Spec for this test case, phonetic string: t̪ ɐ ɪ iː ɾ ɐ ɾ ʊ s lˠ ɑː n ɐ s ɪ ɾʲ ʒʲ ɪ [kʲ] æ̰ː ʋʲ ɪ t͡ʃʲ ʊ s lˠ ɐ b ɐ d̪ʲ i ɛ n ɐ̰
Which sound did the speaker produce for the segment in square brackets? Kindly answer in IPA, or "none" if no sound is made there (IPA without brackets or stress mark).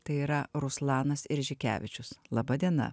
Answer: kʲ